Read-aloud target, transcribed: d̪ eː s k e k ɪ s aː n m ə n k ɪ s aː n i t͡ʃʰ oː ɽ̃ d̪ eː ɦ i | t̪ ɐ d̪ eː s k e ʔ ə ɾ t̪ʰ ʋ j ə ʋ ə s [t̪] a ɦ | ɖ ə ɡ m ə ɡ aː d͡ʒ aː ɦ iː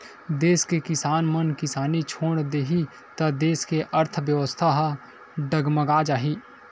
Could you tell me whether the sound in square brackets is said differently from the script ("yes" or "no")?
yes